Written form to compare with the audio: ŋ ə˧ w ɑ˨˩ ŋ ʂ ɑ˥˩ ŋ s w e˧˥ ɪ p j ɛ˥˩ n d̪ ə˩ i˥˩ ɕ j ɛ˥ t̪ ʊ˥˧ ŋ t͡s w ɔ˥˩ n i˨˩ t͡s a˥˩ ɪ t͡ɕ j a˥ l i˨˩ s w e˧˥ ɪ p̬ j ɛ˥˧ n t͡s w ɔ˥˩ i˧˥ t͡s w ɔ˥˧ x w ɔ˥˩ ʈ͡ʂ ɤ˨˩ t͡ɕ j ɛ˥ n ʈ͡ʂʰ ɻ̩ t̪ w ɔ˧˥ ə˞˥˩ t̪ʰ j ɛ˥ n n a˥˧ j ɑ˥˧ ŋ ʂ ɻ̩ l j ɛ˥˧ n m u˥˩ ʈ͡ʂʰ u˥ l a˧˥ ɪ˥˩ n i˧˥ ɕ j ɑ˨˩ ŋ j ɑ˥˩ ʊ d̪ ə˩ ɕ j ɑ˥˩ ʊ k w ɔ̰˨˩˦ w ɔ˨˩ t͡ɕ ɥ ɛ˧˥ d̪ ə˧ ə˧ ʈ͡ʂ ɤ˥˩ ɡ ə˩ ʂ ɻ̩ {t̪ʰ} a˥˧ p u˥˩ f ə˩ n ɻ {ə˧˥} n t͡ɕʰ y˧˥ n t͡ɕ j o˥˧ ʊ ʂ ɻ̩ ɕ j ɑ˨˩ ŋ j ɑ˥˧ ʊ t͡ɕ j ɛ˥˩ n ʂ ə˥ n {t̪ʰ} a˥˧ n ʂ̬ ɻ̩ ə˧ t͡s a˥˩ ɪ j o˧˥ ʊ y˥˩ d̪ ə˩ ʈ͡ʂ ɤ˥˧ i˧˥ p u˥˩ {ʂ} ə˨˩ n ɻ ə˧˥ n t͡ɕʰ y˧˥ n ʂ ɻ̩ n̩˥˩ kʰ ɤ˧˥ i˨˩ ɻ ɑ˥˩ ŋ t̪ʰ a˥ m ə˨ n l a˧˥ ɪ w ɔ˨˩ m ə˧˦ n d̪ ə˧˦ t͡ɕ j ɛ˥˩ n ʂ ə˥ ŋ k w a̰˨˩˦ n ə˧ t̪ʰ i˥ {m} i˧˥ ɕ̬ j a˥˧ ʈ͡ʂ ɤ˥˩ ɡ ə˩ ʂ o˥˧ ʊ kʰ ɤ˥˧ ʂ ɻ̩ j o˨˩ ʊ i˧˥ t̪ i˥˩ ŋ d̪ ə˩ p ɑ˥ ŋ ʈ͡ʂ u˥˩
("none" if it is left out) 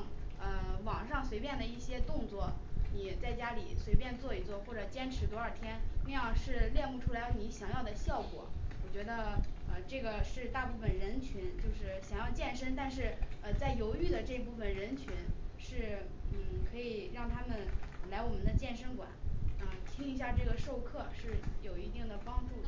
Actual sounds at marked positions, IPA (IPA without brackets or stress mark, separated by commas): t̪, ə˧˥, t̪, f, ŋ